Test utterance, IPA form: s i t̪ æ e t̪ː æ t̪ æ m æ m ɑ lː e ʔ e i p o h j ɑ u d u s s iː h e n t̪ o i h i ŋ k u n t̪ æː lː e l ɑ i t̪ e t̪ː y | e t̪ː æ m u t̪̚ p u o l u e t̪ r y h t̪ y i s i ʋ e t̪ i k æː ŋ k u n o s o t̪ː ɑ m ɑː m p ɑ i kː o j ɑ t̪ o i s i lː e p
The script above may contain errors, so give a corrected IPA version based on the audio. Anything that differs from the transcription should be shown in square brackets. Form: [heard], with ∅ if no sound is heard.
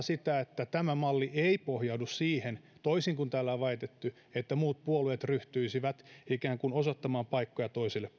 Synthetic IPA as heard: s i t̪ æ e t̪ː æ t̪ æ m æ m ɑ lː [i] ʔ e i p o h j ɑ u d u s s iː h e n t̪ o i [s] i ŋ k u n t̪ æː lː [æ] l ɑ i t̪ e t̪ː y | e t̪ː æ m [uː] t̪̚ p u o l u e t̪ r y h t̪ y i s i ʋ [æ] t̪ i k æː ŋ k u n o s o t̪ː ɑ m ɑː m p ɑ i kː o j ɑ t̪ o i s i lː e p